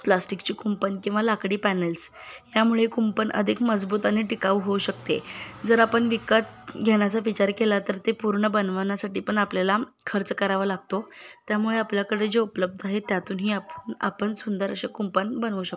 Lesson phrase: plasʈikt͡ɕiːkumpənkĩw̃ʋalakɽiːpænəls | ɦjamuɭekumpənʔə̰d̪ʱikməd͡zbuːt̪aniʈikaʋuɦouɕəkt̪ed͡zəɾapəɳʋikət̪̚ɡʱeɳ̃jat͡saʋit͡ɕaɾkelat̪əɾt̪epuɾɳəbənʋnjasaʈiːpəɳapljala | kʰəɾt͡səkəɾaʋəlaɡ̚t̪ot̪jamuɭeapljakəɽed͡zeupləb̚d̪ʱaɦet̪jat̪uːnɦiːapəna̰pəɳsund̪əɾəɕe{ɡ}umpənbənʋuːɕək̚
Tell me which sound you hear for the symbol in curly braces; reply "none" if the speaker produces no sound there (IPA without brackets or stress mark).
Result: k